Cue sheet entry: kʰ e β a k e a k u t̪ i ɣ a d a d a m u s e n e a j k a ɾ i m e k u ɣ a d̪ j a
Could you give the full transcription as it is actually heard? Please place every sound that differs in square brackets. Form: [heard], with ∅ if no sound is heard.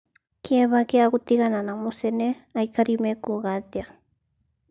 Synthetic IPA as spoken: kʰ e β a k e a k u t̪ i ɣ a [n] a [n] a m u s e n e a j k a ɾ i m e k u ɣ a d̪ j a